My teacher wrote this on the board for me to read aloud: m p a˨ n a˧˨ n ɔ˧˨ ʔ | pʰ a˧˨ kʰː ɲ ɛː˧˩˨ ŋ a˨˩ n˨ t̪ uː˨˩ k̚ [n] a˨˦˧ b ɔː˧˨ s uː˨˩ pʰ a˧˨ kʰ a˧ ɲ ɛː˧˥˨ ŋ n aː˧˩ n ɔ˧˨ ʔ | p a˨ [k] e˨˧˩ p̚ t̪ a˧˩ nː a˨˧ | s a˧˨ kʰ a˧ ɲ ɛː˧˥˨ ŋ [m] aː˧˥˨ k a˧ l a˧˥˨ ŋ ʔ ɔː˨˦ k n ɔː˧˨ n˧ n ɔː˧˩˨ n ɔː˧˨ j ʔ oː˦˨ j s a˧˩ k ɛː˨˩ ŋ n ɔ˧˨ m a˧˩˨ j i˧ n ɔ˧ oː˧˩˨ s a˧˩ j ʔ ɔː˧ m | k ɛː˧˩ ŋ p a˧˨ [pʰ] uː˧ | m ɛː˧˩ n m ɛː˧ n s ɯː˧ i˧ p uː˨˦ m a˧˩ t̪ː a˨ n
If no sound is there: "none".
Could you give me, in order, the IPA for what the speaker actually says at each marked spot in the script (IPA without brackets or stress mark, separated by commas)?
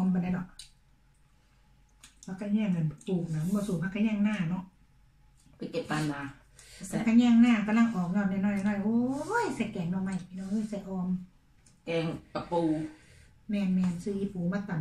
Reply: n, k, n, p